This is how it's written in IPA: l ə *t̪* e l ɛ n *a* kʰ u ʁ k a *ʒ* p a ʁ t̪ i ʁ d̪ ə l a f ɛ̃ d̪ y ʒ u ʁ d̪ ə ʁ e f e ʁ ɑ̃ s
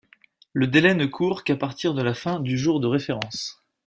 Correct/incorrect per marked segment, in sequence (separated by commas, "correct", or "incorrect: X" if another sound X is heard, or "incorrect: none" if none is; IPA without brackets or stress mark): incorrect: d̪, incorrect: ə, incorrect: none